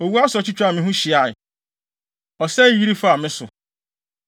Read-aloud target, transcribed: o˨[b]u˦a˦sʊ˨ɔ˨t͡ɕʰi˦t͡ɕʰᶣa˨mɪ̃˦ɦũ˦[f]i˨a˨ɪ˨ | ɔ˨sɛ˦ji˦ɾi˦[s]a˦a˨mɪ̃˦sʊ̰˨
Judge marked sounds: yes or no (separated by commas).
no, no, no